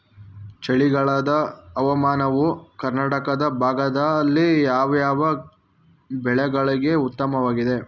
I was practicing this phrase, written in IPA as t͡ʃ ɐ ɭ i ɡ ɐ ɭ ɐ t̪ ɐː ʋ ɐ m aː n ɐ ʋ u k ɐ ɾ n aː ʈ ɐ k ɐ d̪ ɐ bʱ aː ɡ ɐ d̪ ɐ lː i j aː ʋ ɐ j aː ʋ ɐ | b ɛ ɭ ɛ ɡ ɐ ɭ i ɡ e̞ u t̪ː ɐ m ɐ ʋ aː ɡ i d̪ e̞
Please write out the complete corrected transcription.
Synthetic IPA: t͡ʃ ɐ ɭ i ɡ ɐ ɭ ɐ d̪ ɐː ʋ ɐ m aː n ɐ ʋ u k ɐ ɾ n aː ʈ ɐ k ɐ d̪ ɐ bʱ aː ɡ ɐ d̪ ɐ lː i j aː ʋ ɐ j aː ʋ ɐ | b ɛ ɭ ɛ ɡ ɐ ɭ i ɡ e̞ u t̪ː ɐ m ɐ ʋ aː ɡ i d̪ e̞